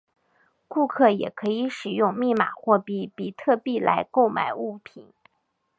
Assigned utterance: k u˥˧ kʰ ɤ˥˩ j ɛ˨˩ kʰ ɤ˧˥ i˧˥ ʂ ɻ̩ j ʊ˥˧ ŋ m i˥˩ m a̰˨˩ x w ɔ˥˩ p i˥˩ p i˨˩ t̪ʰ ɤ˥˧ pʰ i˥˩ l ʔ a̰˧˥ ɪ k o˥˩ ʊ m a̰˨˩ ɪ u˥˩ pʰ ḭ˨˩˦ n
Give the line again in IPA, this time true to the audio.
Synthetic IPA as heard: k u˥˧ kʰ ɤ˥˩ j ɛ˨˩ kʰ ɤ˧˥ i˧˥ ʂ ɻ̩ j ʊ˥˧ ŋ m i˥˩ m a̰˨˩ x w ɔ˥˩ p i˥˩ p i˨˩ t̪ʰ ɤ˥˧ p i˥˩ l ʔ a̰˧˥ ɪ k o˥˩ ʊ m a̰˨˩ ɪ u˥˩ pʰ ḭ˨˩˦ n